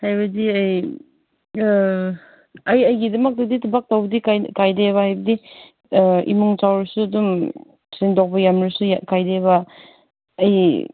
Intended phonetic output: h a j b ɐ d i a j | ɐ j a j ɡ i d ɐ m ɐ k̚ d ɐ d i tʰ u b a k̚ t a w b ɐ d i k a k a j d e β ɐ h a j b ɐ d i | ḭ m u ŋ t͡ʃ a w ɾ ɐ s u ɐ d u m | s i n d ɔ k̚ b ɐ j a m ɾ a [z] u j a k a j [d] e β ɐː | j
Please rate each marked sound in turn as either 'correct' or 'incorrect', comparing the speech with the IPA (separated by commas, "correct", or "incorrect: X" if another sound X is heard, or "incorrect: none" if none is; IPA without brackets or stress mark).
incorrect: s, correct